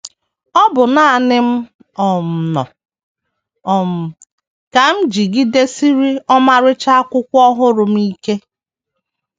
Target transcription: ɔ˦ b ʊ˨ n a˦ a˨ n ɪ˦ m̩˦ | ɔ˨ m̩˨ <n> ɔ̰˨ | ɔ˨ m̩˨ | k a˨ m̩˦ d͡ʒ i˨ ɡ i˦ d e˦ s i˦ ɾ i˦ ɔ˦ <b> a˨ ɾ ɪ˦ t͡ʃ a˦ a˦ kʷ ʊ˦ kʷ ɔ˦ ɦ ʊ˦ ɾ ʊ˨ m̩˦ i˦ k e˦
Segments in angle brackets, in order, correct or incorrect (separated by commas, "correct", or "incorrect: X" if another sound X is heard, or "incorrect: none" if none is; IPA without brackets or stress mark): correct, incorrect: m